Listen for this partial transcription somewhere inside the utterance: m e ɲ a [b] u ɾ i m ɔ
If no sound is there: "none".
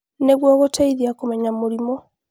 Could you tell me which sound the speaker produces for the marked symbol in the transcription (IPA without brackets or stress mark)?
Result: m